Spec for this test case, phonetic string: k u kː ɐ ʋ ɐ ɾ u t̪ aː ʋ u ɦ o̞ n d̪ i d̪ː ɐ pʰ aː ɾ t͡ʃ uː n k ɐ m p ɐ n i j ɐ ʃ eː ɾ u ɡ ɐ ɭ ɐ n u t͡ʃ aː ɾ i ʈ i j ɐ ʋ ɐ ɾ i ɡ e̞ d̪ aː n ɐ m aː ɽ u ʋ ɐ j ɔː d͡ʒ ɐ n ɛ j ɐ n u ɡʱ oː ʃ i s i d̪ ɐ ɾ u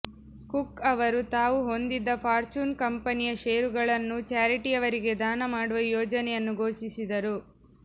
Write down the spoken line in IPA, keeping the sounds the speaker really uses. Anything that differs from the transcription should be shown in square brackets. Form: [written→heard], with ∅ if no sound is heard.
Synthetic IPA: k u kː ɐ ʋ ɐ ɾ u t̪ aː ʋ u ɦ o̞ n d̪ i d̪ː ɐ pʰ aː ɾ t͡ʃ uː n k ɐ m p ɐ n i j ɐ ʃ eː ɾ u ɡ ɐ ɭ ɐ [n→nː] u t͡ʃ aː ɾ i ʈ i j ɐ ʋ ɐ ɾ i ɡ e̞ d̪ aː n ɐ m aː ɽ u ʋ ɐ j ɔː d͡ʒ ɐ n ɛ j ɐ [n→nː] u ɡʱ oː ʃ i s i d̪ ɐ ɾ u

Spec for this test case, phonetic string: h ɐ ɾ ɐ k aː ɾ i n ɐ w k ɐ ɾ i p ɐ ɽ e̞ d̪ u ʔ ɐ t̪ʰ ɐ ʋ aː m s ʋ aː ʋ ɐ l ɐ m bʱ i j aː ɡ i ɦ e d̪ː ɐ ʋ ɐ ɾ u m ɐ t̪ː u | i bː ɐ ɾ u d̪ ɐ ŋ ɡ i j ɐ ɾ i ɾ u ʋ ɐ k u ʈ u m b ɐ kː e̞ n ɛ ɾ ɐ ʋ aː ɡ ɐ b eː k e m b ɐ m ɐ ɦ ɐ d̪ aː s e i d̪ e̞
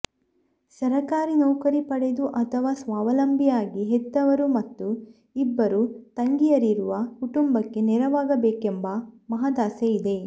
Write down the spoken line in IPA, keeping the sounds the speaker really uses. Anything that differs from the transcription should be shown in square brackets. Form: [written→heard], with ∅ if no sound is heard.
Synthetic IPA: [h→s] ɐ ɾ ɐ k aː ɾ i n ɐ w k ɐ ɾ i p ɐ ɽ e̞ d̪ u ʔ ɐ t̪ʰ ɐ ʋ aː [m→∅] s ʋ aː ʋ ɐ l ɐ m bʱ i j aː ɡ i ɦ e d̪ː ɐ ʋ ɐ ɾ u m ɐ t̪ː u | i bː ɐ ɾ u [d̪→t̪] ɐ ŋ ɡ i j ɐ ɾ i ɾ u ʋ ɐ k u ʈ u m b ɐ kː e̞ n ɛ ɾ ɐ ʋ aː ɡ ɐ b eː k e m b ɐ m ɐ ɦ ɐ d̪ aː s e i d̪ e̞

